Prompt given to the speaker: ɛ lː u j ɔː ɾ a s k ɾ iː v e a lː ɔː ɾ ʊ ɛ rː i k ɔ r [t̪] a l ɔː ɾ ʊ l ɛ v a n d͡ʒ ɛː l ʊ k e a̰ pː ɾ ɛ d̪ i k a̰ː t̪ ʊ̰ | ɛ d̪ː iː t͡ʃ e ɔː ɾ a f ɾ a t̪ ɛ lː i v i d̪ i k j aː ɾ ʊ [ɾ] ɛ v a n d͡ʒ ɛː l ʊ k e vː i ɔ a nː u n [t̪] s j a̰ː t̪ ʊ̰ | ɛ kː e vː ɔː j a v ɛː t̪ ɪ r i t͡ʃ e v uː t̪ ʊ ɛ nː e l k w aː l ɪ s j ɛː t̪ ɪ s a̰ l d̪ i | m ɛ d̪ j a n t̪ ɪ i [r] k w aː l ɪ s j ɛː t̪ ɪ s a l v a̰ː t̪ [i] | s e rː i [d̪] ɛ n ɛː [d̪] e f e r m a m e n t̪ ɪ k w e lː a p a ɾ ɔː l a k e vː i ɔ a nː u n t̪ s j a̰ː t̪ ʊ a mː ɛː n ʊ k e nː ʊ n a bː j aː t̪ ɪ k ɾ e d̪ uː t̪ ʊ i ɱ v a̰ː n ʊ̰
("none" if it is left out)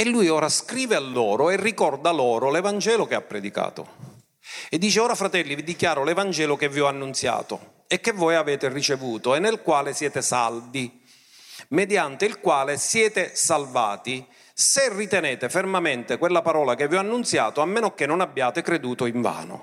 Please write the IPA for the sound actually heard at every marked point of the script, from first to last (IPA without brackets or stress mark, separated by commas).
d̪, l, t̪, l, i, t̪, t̪